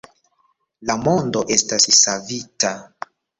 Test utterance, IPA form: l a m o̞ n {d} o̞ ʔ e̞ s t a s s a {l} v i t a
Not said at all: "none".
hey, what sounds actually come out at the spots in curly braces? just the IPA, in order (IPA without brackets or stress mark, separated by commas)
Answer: d, none